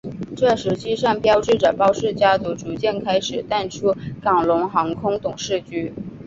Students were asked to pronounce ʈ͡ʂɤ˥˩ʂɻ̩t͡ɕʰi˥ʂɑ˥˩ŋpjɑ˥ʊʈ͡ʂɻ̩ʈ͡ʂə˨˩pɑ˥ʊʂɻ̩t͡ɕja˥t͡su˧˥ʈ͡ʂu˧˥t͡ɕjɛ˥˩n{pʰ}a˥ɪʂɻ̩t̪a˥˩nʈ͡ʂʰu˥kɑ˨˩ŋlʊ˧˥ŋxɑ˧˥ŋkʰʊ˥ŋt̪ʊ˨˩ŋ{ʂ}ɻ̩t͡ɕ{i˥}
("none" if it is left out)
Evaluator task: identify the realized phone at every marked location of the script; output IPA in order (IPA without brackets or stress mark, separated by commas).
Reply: kʰ, ʂ, y˥